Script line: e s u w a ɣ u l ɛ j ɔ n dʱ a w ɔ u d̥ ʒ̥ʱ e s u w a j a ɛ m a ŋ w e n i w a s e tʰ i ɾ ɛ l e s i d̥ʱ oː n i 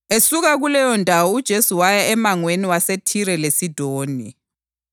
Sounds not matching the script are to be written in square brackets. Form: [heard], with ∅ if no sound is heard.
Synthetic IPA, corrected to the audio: e s u [ɣ] a ɣ u l ɛ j ɔ n dʱ a w ɔ u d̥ ʒ̥ʱ e s u w a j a ɛ m a ŋ w e n i w a s e tʰ i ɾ ɛ l e s i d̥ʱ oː n i